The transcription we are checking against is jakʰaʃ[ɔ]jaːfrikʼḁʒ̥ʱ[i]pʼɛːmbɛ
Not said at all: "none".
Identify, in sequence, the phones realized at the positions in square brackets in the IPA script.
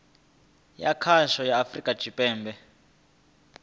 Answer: ɔ, i

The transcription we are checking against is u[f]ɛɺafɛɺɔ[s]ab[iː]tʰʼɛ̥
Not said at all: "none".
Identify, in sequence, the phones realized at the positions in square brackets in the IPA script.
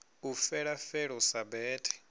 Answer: f, s, ɛː

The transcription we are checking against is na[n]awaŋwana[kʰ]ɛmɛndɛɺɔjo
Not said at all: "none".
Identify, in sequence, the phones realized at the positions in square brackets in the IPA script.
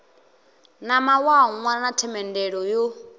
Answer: m, tʰ

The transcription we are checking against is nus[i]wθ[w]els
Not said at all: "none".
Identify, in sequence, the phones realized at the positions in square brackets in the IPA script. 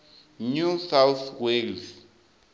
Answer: a, w

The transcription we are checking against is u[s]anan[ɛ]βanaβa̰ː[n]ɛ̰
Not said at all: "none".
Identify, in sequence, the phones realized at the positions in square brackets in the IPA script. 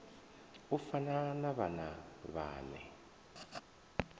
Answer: f, a, n

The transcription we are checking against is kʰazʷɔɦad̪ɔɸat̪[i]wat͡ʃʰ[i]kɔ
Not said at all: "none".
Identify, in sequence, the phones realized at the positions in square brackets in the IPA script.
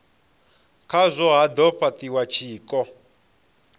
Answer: i, iː

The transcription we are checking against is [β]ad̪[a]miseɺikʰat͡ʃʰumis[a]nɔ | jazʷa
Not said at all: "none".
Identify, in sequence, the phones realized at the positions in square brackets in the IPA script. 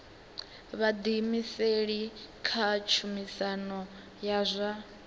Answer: β, i, a

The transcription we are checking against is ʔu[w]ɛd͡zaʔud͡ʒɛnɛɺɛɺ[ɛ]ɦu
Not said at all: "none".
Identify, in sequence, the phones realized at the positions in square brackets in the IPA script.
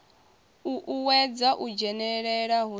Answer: w, a

